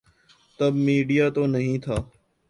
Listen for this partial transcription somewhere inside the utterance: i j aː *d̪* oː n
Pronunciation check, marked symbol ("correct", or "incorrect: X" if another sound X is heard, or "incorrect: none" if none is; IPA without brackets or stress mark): incorrect: t̪